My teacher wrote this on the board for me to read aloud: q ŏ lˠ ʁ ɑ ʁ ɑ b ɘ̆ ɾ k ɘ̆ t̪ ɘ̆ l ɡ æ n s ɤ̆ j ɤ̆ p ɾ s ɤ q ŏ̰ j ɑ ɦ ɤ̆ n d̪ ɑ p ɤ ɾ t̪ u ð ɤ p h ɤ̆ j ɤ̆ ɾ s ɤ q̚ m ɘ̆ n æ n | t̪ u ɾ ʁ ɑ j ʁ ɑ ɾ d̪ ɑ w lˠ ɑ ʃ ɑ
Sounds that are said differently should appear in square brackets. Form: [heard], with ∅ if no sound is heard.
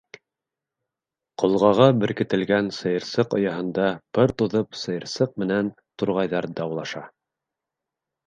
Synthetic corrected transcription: q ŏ lˠ ʁ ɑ ʁ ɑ b ɘ̆ ɾ k ɘ̆ t̪ ɘ̆ l ɡ æ n s ɤ̆ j ɤ̆ [∅] ɾ s ɤ q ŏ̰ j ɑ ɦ ɤ̆ n d̪ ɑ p ɤ ɾ t̪ u ð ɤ p [s] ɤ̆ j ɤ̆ ɾ s ɤ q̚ m ɘ̆ n æ n | t̪ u ɾ ʁ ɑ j [ð] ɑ ɾ d̪ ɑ w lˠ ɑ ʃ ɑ